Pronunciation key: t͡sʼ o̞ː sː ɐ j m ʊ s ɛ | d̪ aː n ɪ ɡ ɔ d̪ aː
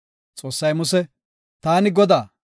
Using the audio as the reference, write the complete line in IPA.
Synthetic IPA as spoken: t͡sʼ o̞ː sː ɐ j m ʊ s ɛ | t̪ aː n ɪ ɡ ɔ d̪ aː

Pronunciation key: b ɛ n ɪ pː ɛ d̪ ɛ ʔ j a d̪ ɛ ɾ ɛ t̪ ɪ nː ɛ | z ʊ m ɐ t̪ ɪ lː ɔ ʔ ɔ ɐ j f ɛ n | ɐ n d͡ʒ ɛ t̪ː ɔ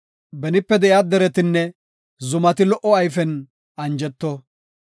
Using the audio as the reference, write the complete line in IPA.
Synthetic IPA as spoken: b ɛ n ɪ pː ɛ d̪ ɛ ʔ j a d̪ ɛ ɾ ɛ t̪ ɪ nː ɛ | z ʊ m ɐ t̪ ɪ l ɔ ʔ ɔ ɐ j f ɛ n | ɐ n d͡ʒ ɛ t̪ː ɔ

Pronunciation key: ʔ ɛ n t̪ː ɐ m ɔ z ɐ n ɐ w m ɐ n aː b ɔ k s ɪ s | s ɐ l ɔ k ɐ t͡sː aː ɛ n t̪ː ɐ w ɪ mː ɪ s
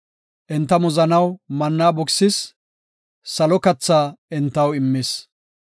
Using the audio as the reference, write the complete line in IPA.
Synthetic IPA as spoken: ʔ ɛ n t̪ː ɐ m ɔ z ɐ n ɐ w m ɐ nː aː b ɔ k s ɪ s | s ɐ l ɔ k ɐ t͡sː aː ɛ n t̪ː ɐ w ɪ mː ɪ s

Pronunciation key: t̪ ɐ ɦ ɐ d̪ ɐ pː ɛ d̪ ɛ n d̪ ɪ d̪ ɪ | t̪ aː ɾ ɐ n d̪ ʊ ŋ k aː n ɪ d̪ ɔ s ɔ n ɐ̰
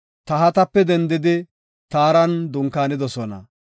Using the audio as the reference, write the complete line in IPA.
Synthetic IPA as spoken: t̪ ɐ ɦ ɐ t̪ ɐ pː ɛ d̪ ɛ n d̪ ɪ d̪ ɪ | t̪ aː ɾ ɐ n d̪ ʊ ŋ k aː n ɪ d̪ ɔ s ɔ n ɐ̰

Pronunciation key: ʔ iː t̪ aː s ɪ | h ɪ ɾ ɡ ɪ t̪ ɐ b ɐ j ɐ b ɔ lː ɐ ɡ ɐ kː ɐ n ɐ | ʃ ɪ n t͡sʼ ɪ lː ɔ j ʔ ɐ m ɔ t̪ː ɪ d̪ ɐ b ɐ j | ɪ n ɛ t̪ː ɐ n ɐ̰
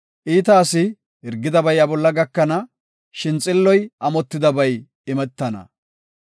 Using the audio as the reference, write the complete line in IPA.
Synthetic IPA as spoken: ʔ iː t̪ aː s ɪ | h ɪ ɾ ɡ ɪ d̪ ɐ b ɐ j ɐ b ɔ lː ɐ ɡ ɐ kː ɐ n ɐ | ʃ ɪ n t͡sʼ ɪ lː ɔ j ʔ ɐ m ɔ t̪ː ɪ d̪ ɐ b ɐ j | ɪ m ɛ t̪ː ɐ n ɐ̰

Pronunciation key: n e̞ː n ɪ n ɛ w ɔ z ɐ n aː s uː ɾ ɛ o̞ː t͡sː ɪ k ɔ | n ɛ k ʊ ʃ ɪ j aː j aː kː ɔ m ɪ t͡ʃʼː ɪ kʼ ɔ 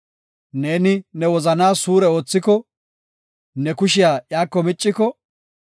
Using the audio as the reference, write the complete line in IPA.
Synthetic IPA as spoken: n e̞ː n ɪ n ɛ w ɔ z ɐ n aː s uː ɾ ɛ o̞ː t͡sː ɪ k ɔ | n ɛ k ʊ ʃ ɪ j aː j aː kː ɔ m ɪ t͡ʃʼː ɪ k ɔ

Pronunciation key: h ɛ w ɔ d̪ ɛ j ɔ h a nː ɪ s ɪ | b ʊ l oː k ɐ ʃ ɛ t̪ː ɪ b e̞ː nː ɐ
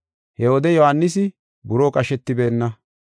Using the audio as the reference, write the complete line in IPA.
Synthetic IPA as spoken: h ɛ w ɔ d̪ ɛ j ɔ h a nː ɪ s ɪ | b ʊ ɾ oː kʼ ɐ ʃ ɛ t̪ː ɪ b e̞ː nː ɐ

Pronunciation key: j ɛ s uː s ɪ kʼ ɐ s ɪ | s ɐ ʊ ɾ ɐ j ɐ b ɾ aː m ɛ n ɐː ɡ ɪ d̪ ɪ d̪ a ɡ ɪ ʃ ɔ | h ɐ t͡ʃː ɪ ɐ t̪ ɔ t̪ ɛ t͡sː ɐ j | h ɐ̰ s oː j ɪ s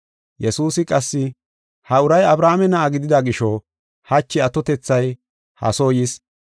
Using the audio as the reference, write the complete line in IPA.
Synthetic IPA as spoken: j ɛ s uː s ɪ kʼ ɐ sː ɪ | h ɐ ʊ ɾ ɐ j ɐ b ɾ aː m ɛ n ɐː ɡ ɪ d̪ ɪ d̪ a ɡ ɪ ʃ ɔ | h ɐ t͡ʃː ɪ ɐ t̪ ɔ t̪ ɛ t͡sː ɐ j | h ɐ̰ s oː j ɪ s

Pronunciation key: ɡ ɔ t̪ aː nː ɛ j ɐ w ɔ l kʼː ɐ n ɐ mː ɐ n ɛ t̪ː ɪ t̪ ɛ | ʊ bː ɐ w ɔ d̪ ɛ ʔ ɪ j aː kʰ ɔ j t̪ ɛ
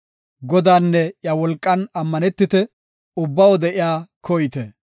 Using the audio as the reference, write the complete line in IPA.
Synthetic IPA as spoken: ɡ ɔ d̪ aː nː ɛ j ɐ w ɔ l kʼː ɐ n ɐ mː ɐ n ɛ t̪ː ɪ t̪ ɛ | ʊ bː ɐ w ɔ d̪ ɛ ʔ ɪ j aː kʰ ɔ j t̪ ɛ

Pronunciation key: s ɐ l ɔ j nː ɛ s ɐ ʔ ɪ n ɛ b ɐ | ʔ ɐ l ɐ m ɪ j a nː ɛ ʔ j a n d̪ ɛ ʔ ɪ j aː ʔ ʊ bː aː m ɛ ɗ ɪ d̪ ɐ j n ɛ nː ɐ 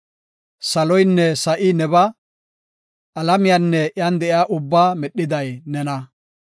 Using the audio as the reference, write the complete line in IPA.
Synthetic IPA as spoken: s ɐ l ɔ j nː ɛ s ɐ ʔ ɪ n ɛ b ɐ | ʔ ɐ l ɐ m ɪ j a nː ɛ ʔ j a n d̪ ɛ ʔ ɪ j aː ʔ ʊ bː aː m ɛ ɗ ɪ d̪ ɐ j n ɛ n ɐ

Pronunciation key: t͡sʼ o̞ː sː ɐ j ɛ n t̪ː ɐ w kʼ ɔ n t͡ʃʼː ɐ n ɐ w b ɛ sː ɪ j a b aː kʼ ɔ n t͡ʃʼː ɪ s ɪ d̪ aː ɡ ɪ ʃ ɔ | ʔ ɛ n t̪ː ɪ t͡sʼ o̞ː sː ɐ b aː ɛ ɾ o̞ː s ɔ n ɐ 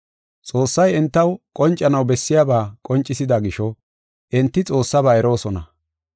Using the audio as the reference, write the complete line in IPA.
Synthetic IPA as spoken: t͡sʼ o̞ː sː ɐ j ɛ n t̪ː ɐ w kʼ ɔ n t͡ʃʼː ɐ n ɐ w b ɛ sː ɪ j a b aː kʼ ɔ n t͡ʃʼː ɪ s ɪ d̪ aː ɡ ɪ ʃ ɔ | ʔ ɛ n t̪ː ɪ t͡sʼ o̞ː sː ɐ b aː ɛ ɾ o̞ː s ɔ n ɐ

